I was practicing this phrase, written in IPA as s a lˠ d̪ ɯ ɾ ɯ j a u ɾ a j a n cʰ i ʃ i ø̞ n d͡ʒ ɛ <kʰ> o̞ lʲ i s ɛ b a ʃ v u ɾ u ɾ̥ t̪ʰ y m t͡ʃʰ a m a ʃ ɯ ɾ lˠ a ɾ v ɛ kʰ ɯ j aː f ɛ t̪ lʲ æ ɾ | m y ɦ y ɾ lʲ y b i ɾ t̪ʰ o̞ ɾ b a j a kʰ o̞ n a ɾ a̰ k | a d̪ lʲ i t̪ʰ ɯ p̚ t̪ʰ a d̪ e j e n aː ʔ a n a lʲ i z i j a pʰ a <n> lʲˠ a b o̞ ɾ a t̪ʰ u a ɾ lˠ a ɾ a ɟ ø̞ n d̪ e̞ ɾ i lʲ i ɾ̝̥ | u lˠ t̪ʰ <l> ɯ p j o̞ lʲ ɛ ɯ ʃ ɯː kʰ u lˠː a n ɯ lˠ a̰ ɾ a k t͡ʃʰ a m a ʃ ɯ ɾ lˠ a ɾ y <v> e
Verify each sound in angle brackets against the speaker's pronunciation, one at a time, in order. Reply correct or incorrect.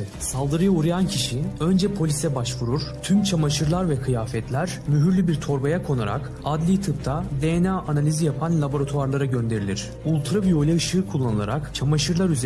incorrect, correct, incorrect, incorrect

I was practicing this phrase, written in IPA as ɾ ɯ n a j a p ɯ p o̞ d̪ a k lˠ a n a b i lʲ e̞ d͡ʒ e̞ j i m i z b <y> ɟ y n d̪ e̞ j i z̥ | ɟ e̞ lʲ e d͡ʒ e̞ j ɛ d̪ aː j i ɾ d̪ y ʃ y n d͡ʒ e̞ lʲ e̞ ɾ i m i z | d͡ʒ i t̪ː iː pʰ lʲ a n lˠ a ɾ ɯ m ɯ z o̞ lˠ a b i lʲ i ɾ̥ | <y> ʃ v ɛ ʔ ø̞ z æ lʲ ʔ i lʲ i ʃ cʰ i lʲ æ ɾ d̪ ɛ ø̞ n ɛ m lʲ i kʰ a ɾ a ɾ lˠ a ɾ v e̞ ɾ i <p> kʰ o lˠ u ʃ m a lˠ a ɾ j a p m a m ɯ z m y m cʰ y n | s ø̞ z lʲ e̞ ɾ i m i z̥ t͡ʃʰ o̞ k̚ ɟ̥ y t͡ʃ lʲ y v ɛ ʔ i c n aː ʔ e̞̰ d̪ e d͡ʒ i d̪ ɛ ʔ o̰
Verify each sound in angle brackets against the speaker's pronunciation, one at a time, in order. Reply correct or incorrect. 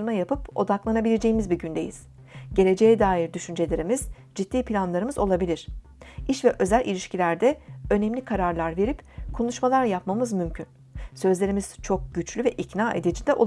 incorrect, incorrect, correct

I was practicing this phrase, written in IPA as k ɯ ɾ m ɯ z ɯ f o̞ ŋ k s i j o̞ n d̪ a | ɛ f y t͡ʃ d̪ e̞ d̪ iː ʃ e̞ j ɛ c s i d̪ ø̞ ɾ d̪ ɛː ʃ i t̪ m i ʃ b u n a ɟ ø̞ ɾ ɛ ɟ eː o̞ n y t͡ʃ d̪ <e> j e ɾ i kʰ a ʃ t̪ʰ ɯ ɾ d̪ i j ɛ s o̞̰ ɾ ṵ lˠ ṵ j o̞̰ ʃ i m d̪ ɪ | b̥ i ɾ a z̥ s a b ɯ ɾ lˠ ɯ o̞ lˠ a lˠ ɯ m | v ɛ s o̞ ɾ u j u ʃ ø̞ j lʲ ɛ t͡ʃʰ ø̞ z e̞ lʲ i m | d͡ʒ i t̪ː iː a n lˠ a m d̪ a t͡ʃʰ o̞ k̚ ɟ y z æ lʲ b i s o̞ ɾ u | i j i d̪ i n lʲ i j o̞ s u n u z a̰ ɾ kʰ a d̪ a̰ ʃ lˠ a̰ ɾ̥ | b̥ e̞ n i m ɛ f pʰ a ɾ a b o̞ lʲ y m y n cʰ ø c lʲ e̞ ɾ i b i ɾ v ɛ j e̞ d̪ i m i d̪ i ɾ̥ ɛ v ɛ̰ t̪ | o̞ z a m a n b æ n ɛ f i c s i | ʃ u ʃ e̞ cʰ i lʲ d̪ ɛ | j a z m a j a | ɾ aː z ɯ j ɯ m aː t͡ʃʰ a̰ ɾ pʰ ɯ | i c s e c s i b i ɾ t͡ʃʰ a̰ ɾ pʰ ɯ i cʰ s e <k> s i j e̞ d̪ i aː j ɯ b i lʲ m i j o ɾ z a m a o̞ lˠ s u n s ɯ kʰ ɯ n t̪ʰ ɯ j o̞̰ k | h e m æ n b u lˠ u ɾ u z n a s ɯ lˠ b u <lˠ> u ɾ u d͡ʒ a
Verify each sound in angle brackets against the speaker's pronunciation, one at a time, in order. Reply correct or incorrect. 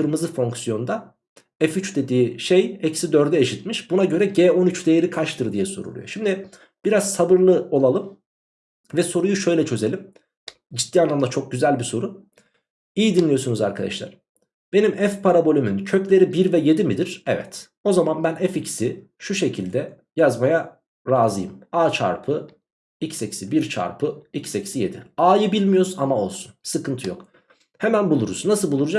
correct, incorrect, correct

